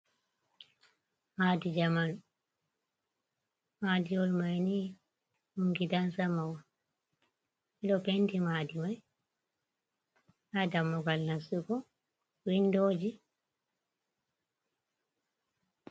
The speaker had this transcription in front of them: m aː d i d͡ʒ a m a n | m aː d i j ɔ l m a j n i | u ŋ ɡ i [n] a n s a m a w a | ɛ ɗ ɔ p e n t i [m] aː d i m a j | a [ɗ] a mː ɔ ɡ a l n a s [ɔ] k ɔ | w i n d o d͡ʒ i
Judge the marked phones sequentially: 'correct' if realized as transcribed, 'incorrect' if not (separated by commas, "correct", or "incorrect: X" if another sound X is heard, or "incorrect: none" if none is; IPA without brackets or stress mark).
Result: incorrect: d, correct, incorrect: d, incorrect: u